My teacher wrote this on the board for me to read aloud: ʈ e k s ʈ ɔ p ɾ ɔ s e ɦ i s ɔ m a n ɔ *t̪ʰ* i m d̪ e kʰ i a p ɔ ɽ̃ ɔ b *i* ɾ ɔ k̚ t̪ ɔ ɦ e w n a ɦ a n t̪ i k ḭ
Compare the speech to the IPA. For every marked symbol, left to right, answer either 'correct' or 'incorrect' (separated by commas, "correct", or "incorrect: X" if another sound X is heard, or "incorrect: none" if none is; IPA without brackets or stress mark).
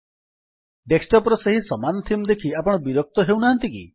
correct, correct